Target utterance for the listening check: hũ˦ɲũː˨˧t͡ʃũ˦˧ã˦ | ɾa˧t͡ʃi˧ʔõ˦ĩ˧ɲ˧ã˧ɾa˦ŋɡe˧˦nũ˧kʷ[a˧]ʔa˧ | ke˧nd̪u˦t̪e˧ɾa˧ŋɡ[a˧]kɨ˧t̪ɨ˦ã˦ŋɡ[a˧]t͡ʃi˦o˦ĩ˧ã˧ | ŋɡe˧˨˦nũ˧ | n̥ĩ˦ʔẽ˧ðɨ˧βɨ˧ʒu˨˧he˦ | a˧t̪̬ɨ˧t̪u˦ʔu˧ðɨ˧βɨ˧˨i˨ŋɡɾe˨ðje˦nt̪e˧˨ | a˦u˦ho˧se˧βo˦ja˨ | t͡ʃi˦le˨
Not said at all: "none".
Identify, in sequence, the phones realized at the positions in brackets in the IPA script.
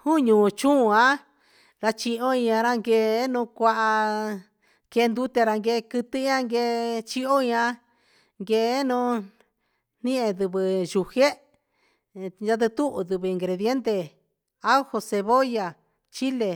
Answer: a˧, e˧, e˧

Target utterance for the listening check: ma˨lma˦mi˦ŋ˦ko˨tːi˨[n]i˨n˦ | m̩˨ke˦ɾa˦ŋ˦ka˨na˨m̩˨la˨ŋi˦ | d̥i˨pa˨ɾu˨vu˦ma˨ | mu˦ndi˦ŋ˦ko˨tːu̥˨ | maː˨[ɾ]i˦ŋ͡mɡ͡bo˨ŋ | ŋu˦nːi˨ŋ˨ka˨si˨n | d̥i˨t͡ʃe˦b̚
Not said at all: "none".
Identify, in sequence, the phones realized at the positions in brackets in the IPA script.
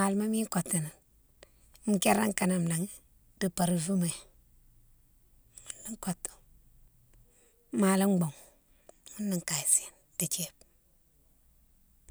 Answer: n, l

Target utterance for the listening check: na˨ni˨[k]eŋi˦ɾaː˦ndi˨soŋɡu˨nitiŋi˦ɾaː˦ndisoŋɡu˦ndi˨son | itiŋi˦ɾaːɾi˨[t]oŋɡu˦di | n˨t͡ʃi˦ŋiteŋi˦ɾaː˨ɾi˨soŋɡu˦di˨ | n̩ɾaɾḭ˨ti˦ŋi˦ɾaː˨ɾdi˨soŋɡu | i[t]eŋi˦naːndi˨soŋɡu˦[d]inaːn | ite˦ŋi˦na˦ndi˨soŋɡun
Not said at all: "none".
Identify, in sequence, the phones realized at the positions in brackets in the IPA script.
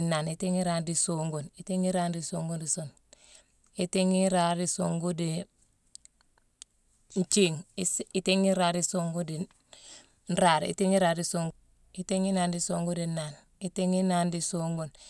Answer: t, s, t, d

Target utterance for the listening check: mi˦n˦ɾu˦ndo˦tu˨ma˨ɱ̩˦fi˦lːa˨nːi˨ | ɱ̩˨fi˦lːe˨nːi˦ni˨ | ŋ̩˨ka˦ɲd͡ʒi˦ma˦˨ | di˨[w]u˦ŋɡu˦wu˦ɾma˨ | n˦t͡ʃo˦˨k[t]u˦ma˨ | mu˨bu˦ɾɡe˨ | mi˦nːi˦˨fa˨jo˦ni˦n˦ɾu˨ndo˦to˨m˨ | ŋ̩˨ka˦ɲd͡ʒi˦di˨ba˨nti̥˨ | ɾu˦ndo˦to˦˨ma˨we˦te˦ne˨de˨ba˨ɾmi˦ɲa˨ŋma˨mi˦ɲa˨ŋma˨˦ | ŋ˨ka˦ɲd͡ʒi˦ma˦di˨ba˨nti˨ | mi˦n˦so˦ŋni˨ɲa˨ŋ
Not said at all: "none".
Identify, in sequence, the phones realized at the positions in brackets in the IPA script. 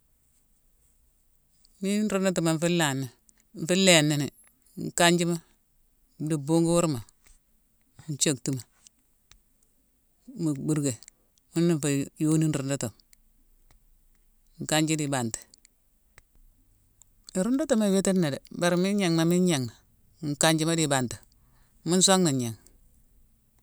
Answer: b, t

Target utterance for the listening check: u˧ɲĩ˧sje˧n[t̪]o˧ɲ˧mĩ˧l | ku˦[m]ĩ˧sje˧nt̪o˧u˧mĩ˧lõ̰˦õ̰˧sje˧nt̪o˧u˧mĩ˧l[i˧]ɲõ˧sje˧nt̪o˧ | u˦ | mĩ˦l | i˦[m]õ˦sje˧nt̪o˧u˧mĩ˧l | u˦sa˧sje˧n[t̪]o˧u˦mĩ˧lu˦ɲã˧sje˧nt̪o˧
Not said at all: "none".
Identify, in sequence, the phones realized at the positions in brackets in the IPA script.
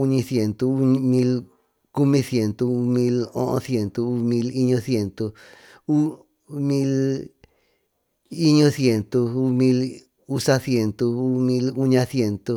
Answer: t̪, m, i˧, ɲ, t̪

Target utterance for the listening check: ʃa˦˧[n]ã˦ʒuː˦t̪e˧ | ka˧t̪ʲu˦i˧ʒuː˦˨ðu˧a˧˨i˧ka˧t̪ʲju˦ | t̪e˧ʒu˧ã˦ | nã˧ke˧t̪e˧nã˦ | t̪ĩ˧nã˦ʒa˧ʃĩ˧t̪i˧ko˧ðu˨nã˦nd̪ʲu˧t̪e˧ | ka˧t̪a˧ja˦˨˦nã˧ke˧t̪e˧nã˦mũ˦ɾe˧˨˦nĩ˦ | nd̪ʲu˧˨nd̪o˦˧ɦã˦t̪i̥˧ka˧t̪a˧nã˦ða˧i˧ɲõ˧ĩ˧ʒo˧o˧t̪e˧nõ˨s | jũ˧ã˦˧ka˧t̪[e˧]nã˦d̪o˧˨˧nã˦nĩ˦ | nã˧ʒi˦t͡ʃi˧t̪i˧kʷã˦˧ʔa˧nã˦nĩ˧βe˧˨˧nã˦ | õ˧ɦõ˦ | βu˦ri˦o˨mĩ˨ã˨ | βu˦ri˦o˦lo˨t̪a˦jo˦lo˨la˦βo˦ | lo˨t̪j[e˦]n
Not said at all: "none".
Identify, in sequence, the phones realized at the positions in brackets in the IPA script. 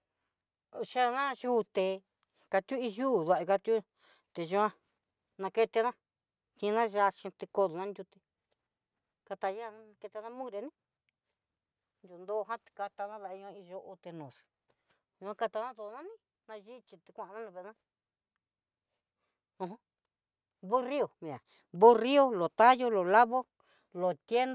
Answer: n, a˧, e˦

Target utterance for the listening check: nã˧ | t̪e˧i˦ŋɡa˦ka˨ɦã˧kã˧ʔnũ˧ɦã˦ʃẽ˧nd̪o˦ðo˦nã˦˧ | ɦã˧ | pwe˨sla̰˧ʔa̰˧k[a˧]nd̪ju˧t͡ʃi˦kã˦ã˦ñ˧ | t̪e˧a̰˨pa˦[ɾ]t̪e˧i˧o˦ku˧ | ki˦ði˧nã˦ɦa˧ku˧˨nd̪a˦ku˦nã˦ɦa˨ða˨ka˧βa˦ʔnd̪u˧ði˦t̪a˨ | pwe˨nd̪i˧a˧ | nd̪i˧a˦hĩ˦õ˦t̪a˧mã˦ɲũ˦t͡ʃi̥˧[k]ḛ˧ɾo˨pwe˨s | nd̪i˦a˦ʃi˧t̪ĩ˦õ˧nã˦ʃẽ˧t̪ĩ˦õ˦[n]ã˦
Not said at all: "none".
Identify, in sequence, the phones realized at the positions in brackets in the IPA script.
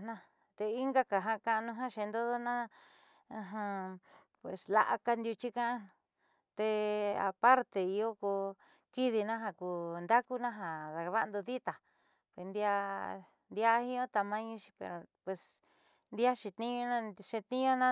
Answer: a˧, ɾ, p, n

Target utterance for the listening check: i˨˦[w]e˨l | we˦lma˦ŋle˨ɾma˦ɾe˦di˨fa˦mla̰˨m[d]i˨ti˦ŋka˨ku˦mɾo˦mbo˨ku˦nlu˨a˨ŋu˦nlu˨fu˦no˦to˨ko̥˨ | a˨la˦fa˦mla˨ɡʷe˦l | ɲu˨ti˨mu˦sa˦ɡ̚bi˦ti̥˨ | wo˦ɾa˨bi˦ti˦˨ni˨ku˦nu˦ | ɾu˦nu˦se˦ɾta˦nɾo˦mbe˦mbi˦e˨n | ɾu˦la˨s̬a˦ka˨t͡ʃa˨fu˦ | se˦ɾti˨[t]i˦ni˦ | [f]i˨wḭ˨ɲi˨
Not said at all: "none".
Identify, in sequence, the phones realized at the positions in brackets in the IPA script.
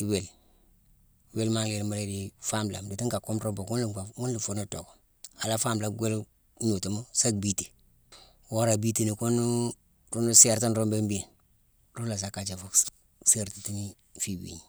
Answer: w, d, t, f

